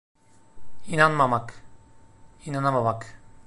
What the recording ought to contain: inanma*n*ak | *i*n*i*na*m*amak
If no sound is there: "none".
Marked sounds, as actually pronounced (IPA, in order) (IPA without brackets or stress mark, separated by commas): m, i, a, m